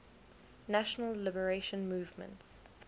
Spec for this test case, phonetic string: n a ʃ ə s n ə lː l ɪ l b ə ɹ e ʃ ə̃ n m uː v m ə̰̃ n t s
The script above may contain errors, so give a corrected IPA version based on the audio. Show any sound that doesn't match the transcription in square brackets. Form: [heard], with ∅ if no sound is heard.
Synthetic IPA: n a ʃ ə [∅] n ə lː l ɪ [∅] b ə ɹ e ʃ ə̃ n m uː v m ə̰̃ n t s